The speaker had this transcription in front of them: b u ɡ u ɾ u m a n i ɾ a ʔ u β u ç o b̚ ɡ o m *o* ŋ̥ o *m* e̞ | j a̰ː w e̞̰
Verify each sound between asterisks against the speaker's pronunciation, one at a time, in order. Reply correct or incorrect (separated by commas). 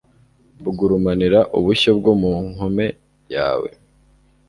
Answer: incorrect, correct